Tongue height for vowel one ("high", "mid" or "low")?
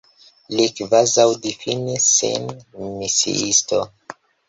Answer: high